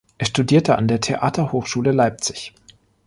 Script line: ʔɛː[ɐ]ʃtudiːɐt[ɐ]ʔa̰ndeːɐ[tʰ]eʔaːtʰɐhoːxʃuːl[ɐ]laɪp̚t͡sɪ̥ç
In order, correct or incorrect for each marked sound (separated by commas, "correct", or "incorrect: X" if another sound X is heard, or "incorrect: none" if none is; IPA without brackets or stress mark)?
correct, incorrect: ə, correct, incorrect: ə